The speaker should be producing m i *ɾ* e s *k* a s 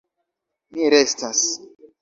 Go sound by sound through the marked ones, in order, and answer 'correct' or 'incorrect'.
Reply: correct, incorrect: t

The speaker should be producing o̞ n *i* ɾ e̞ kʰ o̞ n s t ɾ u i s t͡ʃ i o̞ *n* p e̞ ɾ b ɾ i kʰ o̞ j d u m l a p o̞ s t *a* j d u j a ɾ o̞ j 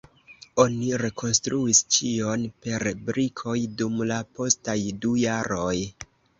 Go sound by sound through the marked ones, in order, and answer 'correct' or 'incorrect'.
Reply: correct, correct, correct

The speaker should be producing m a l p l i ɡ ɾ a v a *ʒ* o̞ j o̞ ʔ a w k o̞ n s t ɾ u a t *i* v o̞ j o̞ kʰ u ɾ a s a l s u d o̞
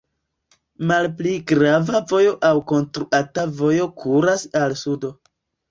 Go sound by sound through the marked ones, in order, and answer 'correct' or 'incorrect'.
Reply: incorrect: v, incorrect: a

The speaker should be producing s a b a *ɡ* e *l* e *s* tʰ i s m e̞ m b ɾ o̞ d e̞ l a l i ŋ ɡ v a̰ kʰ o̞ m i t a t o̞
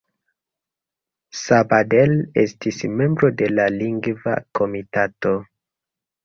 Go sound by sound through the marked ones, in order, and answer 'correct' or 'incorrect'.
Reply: incorrect: d, correct, correct

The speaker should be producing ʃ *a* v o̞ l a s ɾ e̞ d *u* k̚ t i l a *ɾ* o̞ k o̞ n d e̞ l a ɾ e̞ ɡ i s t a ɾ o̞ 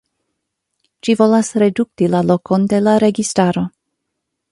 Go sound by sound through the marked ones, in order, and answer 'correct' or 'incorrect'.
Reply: incorrect: i, correct, incorrect: l

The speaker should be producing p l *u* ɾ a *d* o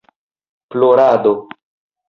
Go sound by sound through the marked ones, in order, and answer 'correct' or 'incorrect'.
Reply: incorrect: o, correct

